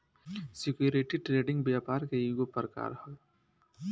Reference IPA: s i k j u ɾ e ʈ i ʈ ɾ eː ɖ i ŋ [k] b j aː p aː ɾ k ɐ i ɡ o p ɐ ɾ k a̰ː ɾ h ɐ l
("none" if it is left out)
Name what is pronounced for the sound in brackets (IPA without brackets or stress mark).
ɡ